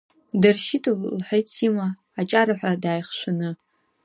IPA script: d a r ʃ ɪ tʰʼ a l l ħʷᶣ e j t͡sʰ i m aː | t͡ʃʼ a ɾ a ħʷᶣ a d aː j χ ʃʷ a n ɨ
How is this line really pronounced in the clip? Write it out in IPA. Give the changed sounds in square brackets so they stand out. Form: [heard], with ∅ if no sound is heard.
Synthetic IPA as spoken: d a r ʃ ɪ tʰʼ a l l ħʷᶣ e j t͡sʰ i m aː | t͡ʃʼ a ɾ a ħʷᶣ a d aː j χ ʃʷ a n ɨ